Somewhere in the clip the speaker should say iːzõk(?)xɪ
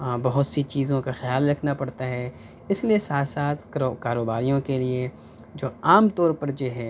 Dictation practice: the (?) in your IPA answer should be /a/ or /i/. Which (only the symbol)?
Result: a